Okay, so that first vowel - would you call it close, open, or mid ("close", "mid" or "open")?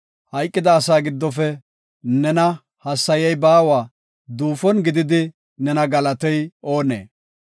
open